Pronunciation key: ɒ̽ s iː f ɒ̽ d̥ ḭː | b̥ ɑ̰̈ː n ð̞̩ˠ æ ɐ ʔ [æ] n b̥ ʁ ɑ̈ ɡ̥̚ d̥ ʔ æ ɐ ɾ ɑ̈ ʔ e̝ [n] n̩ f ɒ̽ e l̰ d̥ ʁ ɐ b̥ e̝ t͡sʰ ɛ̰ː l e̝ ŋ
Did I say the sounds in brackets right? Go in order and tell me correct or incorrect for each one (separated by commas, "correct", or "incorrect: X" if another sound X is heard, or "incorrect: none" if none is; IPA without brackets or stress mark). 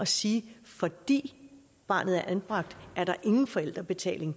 correct, incorrect: ŋ